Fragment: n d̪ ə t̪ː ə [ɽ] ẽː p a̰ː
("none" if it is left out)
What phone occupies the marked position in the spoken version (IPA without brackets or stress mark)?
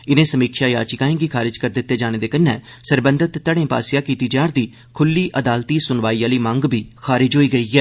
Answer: ɽ